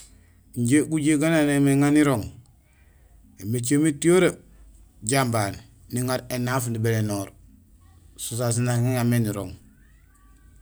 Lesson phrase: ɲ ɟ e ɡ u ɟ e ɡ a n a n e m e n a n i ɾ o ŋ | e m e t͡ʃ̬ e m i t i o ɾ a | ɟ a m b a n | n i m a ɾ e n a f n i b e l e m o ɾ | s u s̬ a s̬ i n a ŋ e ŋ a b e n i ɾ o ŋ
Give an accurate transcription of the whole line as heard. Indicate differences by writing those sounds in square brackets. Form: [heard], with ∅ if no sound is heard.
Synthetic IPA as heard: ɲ ɟ e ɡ u ɟ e ɡ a n a n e m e [ŋ] a n i ɾ o ŋ | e m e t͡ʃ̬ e m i t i o ɾ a | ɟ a m b a n | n i [ŋ] a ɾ e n a f n i b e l e [n] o ɾ | s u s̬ a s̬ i n a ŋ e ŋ a [m] e n i ɾ o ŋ